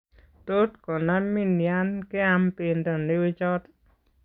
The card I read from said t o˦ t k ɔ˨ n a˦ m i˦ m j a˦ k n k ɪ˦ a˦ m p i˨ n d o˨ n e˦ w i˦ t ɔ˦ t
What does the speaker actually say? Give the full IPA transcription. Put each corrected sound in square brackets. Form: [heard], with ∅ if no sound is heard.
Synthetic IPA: t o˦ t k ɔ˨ n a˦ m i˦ [n] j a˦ [∅] n k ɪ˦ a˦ m p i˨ n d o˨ n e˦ w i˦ [t͡ʃ] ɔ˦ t

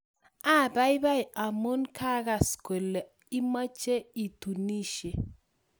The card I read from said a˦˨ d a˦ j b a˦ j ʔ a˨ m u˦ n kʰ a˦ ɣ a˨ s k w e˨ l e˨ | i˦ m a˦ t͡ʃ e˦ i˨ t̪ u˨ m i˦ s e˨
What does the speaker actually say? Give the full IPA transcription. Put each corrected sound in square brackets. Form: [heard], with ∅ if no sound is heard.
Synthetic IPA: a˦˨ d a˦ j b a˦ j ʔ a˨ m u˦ n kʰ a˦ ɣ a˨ s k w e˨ l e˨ | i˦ m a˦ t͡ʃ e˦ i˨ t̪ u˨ [n] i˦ [ʃ] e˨

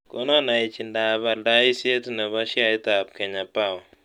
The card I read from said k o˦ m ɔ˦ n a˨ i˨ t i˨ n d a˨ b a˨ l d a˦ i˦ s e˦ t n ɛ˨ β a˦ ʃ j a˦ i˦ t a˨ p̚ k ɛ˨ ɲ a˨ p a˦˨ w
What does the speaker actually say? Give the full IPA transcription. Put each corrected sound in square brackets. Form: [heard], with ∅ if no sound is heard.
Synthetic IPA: k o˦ [n] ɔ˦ n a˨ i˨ [t͡ʃ] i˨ n d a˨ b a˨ l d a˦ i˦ s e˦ t n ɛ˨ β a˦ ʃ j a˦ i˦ t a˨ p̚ k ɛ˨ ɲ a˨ p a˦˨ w

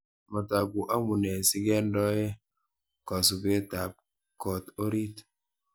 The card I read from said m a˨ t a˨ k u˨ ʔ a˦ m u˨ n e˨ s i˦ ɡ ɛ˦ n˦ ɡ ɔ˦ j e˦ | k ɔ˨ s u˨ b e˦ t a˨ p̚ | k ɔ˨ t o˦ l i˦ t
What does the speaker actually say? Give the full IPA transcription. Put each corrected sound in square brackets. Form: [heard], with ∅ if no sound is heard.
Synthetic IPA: m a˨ t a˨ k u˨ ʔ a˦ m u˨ n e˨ s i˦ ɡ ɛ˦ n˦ [d] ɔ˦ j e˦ | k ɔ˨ s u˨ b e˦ t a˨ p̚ | k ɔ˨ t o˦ [ɾ] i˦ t

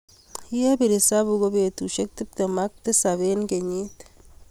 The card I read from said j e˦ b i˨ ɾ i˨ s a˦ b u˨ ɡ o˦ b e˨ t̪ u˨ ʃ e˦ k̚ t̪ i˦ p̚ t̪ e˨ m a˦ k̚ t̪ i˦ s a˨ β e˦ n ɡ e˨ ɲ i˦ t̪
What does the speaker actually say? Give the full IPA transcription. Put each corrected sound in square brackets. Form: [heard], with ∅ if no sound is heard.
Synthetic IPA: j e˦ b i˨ ɾ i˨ s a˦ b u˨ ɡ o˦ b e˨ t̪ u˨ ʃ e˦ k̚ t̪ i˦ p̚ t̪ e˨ m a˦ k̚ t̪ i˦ s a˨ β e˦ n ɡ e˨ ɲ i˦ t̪

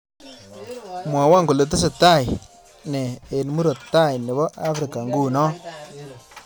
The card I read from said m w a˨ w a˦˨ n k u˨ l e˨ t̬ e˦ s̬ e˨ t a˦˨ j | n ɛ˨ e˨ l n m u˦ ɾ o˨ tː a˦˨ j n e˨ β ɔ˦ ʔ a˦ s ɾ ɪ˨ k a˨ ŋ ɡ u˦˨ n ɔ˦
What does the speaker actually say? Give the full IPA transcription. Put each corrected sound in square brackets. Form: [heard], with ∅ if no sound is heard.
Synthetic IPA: m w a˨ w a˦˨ [ŋ] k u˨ l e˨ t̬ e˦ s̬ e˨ t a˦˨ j | n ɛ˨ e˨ [∅] n m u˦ ɾ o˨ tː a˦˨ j n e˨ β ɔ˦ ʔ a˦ [f] ɾ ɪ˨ k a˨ ŋ ɡ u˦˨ n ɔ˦

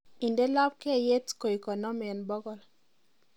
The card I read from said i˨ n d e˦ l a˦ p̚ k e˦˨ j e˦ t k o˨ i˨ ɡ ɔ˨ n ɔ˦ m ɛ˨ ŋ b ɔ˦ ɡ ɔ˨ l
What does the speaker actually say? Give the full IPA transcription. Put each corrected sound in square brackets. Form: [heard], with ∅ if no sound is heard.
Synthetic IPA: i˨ n d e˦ l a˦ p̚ k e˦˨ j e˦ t k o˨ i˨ [k] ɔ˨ n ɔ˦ m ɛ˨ [n] b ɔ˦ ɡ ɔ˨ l

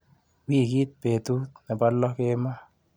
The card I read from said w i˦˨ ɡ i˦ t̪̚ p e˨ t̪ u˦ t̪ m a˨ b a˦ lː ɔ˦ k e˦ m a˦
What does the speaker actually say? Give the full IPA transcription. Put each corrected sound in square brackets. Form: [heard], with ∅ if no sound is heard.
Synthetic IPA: w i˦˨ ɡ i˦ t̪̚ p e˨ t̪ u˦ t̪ [n] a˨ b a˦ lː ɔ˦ k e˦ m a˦

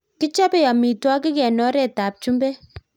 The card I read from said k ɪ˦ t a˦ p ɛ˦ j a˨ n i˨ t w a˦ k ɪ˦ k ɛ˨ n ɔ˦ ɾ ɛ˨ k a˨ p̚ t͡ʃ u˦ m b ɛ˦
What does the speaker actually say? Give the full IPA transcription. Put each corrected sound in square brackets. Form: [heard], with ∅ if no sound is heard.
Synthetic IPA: k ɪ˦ [t͡ʃ] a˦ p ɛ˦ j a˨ [m] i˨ t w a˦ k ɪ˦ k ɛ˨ n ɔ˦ ɾ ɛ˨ [t] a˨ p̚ t͡ʃ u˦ m b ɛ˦

